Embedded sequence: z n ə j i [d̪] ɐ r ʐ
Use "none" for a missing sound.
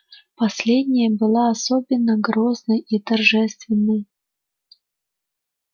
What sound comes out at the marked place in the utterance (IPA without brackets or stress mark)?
t̪